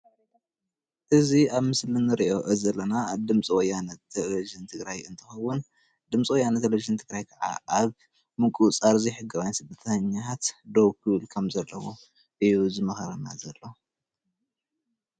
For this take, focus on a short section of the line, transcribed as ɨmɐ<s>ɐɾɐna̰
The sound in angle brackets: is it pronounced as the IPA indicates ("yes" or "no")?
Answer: no